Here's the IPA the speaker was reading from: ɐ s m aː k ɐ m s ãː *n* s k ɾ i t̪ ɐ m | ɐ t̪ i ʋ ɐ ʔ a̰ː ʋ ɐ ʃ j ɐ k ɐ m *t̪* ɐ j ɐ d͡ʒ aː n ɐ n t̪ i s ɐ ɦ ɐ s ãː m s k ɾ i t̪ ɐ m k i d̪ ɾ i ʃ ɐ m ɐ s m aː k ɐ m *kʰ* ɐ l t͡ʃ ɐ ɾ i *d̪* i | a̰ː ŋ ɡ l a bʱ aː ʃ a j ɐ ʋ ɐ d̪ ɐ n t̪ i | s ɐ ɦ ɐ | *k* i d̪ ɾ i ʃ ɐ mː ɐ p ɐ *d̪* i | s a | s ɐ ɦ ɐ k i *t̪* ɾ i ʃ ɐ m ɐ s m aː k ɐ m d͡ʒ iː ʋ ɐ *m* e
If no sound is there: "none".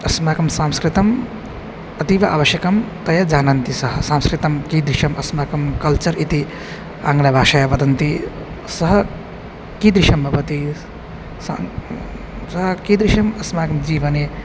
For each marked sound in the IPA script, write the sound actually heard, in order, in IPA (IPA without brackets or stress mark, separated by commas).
m, t̪, k, t̪, k, t̪, d̪, n